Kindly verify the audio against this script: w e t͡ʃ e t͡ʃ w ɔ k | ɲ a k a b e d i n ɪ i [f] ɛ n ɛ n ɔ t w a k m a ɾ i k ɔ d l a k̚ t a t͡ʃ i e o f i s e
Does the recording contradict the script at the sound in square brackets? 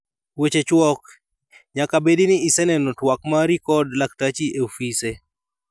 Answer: yes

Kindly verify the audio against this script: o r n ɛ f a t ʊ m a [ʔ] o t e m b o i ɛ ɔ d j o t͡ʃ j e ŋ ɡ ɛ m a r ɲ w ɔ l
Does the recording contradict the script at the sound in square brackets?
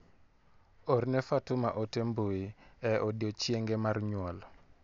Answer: no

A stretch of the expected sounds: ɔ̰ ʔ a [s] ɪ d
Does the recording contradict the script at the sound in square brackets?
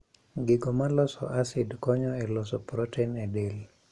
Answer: no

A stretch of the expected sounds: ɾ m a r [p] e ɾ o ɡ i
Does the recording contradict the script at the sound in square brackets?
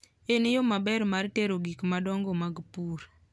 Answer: yes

